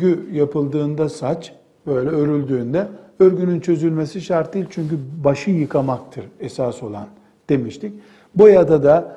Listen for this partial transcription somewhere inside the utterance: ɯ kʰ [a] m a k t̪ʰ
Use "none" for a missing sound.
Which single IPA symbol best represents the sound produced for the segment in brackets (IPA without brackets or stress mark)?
a